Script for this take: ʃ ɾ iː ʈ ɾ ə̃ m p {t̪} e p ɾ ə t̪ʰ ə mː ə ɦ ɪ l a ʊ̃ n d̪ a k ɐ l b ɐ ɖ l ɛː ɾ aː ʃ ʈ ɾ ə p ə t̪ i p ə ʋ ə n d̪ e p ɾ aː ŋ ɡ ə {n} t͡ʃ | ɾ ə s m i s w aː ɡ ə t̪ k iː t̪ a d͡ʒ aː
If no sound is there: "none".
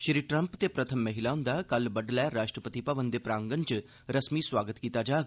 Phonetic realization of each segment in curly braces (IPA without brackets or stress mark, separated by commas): t̪, n